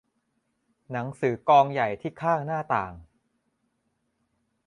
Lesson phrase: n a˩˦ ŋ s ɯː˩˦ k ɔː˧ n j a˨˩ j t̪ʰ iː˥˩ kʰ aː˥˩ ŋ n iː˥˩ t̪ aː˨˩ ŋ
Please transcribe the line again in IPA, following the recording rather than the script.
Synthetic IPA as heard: n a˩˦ ŋ s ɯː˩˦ k ɔː˧ ŋ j a˨˩ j t̪ʰ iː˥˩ kʰ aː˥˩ ŋ n aː˥˩ t̪ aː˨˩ ŋ